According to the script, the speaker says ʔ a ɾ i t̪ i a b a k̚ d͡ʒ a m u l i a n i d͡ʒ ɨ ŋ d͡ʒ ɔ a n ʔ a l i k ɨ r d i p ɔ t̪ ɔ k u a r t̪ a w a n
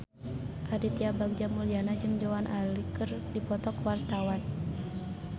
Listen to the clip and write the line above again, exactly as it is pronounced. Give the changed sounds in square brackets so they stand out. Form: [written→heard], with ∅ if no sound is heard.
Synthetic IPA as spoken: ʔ a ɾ i t̪ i a b a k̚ d͡ʒ a m u l i a n [i→a] d͡ʒ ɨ ŋ d͡ʒ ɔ a n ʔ a l i k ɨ r d i p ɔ t̪ ɔ k [u→w] a r t̪ a w a n